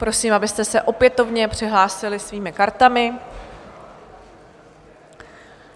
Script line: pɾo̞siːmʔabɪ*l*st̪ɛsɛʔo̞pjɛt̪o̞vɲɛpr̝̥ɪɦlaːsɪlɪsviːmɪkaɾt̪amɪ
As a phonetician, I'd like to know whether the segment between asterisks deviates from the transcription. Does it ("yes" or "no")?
yes